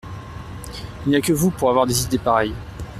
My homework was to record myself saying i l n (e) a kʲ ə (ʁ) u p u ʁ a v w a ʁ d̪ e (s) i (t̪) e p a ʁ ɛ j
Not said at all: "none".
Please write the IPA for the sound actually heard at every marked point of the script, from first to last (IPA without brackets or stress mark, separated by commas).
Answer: i, v, z, d̪